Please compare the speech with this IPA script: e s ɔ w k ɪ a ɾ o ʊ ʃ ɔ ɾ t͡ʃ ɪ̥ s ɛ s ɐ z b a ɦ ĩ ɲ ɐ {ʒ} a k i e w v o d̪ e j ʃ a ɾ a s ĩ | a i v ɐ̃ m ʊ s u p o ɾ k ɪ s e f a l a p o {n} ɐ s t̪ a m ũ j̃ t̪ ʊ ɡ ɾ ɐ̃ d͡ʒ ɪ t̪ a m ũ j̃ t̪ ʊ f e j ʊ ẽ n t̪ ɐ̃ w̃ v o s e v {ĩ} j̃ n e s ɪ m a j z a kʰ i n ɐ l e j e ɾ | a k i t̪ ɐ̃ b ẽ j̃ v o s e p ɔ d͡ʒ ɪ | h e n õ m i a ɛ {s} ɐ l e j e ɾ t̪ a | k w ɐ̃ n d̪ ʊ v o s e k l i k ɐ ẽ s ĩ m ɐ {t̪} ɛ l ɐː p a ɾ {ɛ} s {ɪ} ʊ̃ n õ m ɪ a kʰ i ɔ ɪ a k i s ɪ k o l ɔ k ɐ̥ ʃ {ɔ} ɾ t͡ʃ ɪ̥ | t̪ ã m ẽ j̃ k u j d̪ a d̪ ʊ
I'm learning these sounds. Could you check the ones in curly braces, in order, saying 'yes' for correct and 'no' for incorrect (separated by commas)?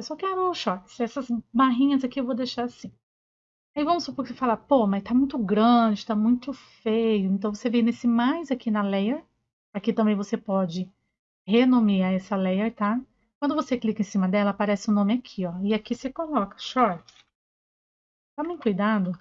no, no, no, yes, no, yes, yes, yes